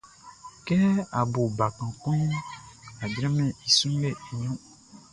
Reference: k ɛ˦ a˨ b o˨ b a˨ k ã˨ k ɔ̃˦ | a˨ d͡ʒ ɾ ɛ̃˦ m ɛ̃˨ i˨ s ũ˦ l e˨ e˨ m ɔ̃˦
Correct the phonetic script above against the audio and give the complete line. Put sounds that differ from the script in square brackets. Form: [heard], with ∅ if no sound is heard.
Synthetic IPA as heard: k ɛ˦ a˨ b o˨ b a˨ k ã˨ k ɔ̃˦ | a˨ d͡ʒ ɾ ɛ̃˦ m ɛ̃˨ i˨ s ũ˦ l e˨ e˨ [ɲ] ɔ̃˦